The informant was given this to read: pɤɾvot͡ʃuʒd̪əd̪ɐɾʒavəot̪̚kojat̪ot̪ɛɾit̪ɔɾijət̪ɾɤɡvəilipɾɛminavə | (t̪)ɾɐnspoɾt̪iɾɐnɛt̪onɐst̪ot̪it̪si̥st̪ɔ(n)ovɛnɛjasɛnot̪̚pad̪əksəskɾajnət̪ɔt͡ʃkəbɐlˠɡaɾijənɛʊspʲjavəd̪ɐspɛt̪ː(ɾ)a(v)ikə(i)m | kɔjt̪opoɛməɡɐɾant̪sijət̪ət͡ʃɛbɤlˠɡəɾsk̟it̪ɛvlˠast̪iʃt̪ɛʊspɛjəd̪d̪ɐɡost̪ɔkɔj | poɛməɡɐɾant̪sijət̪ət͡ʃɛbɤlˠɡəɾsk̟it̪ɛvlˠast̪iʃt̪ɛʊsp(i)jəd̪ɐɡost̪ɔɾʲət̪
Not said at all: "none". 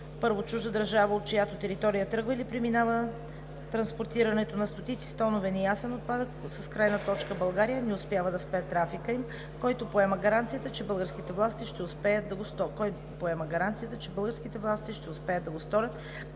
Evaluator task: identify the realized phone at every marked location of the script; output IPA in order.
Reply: t̪, n, ɾ, f, i, ɛ

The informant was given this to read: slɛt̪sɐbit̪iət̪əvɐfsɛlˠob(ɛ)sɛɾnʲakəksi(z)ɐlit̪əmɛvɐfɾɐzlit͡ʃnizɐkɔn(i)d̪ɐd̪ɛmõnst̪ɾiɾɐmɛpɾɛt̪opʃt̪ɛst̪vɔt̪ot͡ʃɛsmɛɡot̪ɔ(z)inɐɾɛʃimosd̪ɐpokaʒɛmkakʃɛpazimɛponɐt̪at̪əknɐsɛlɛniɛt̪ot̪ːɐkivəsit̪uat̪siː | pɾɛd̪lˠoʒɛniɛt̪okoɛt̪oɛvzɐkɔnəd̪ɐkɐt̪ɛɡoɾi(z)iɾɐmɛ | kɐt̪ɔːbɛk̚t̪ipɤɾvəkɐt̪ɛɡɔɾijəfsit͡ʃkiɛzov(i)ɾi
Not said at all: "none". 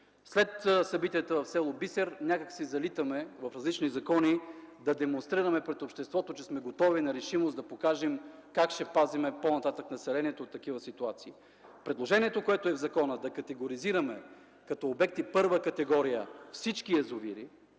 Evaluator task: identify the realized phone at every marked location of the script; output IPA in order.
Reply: i, z, i, v, z, i

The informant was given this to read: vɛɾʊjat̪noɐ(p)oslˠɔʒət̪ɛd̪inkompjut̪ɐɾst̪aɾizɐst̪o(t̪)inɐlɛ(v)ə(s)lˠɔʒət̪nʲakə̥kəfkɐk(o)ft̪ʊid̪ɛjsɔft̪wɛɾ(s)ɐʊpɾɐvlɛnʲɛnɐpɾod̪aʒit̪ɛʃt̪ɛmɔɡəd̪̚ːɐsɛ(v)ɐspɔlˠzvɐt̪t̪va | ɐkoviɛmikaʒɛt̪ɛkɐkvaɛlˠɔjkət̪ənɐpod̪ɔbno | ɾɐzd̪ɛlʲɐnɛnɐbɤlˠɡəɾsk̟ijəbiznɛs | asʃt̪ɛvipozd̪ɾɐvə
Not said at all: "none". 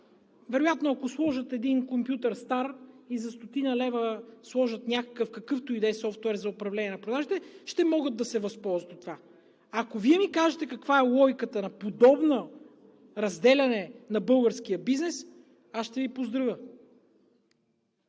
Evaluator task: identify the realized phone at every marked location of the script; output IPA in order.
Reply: k, t̪, v, s, ɤ, z, v

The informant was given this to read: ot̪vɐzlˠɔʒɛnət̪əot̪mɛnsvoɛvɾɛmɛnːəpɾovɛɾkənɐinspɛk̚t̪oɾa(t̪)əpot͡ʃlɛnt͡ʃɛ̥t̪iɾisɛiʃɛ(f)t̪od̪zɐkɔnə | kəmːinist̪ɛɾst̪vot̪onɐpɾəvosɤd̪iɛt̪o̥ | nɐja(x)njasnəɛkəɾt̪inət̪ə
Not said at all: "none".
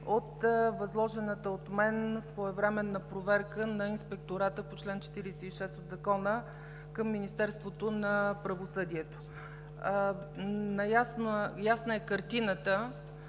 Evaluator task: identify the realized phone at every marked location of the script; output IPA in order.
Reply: t̪, s, s

